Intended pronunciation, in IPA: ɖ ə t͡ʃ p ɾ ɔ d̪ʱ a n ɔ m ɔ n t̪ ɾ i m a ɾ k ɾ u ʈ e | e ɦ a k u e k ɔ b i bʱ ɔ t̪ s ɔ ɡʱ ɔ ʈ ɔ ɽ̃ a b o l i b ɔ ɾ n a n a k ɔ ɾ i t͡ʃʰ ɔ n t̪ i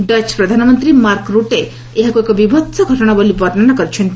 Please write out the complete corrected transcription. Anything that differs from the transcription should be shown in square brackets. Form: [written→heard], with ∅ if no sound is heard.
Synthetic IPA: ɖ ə t͡ʃ p ɾ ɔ d̪ʱ a n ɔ m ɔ n t̪ ɾ i m a ɾ k ɾ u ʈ e | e ɦ a k u e k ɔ b i bʱ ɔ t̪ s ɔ ɡʱ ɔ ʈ ɔ ɽ̃ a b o l i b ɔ ɾ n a n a k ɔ ɾ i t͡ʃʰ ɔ n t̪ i